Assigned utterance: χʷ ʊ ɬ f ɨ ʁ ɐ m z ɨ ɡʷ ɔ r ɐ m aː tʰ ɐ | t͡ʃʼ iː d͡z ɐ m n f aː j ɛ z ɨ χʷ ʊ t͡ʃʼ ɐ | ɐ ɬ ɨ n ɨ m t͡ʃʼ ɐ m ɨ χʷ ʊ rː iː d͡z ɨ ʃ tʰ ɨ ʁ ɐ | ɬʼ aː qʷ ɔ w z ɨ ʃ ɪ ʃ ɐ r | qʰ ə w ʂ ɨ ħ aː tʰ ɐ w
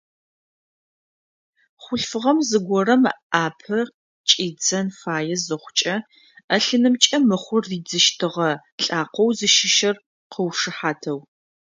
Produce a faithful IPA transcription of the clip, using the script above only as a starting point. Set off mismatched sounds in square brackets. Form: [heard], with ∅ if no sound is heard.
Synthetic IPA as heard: χʷ ʊ ɬ f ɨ ʁ ɐ m z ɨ ɡʷ ɔ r ɐ m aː [pʰ] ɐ | t͡ʃʼ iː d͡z ɐ [∅] n f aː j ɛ z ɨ χʷ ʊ t͡ʃʼ ɐ | ɐ ɬ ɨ n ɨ m t͡ʃʼ ɐ m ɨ χʷ ʊ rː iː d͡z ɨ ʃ tʰ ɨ ʁ ɐ | ɬʼ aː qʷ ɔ w z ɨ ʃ ɪ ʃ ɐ r | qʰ ə w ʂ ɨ ħ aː tʰ ɐ w